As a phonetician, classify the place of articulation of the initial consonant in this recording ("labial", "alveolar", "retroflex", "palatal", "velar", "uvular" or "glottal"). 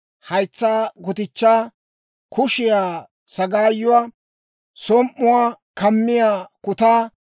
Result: glottal